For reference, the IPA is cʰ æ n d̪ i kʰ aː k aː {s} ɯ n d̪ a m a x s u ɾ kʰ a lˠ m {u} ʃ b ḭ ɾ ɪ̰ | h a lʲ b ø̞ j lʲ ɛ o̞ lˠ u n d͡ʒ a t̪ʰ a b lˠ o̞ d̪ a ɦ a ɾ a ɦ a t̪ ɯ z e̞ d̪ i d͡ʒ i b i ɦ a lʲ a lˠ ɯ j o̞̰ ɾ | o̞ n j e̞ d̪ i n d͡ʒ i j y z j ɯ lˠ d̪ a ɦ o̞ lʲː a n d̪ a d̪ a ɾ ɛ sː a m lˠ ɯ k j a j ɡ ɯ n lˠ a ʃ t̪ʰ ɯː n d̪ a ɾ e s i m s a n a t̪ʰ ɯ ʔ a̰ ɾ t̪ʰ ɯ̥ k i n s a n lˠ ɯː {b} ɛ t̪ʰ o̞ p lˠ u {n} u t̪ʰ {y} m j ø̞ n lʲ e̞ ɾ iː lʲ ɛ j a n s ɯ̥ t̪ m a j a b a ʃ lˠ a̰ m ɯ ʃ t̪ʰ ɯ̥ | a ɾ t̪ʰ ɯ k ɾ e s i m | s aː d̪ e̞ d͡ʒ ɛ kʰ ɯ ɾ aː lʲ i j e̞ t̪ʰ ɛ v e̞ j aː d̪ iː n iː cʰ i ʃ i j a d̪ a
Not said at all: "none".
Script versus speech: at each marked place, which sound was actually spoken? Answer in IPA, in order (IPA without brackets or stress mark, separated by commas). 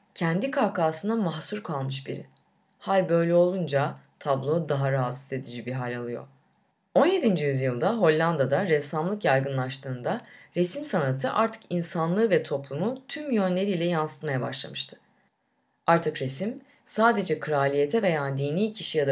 s, ɯ, v, m, y